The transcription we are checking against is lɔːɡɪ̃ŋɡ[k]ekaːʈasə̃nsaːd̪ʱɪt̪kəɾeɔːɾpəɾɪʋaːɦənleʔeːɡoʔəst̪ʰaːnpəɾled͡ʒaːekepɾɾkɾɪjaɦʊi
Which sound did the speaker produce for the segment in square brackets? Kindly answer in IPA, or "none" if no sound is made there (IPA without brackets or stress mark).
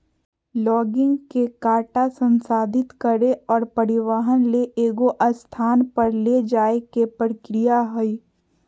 k